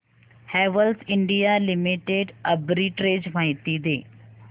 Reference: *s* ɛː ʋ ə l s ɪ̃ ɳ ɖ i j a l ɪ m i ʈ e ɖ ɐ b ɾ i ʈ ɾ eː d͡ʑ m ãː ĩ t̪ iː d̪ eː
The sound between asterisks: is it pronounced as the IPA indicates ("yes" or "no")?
no